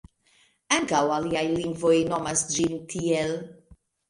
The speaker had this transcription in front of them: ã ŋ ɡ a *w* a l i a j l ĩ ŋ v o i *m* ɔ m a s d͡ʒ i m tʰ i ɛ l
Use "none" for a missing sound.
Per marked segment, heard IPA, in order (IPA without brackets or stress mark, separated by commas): w, n